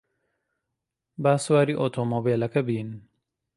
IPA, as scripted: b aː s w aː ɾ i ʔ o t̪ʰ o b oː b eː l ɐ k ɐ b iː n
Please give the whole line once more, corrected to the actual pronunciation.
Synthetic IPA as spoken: b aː s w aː ɾ i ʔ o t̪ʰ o m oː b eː l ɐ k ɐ b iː n